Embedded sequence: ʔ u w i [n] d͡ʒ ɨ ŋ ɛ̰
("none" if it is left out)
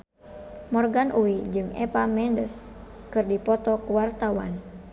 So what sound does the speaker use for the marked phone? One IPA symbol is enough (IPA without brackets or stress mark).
none